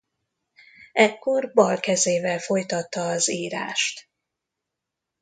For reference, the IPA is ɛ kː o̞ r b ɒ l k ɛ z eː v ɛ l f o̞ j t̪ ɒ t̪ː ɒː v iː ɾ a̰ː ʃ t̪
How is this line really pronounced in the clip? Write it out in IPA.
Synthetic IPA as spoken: ɛ kː o̞ r b ɒ l k ɛ z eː v ɛ l f o̞ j t̪ ɒ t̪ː ɒː z iː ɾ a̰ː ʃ t̪